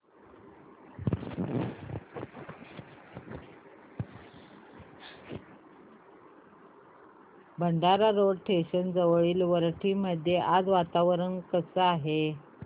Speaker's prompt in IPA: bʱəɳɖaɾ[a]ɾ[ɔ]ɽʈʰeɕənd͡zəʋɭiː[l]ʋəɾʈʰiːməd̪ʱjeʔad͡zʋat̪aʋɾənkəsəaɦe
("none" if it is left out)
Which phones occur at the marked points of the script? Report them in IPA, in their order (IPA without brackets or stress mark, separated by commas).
a, o, l